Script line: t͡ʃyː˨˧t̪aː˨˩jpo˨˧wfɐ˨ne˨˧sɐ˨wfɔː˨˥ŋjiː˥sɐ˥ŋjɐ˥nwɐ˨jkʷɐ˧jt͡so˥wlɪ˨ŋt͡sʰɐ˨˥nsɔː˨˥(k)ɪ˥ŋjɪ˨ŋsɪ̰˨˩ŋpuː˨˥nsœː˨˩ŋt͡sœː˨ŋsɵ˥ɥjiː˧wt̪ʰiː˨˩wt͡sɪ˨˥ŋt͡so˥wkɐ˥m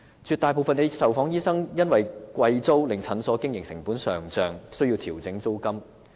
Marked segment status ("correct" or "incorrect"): correct